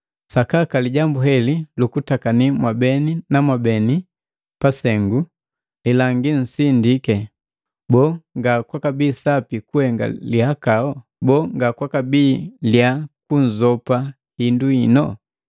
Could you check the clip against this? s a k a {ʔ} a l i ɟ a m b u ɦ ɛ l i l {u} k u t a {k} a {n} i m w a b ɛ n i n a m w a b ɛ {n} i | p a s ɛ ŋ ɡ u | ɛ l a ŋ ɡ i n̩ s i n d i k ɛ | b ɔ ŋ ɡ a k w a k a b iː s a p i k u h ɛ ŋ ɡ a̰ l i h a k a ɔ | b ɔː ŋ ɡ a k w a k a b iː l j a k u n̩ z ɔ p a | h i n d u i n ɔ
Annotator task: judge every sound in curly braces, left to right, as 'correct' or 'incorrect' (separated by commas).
incorrect, correct, correct, correct, correct